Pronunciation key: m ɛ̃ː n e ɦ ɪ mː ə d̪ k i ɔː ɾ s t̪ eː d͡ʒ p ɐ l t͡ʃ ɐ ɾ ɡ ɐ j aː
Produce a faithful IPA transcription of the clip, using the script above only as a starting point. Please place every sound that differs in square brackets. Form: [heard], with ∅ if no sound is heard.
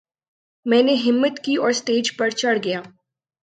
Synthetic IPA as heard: m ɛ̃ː n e ɦ ɪ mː ə [t̪] k i ɔː ɾ s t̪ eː d͡ʒ p ɐ [ɾ] t͡ʃ ɐ [ɽ] ɡ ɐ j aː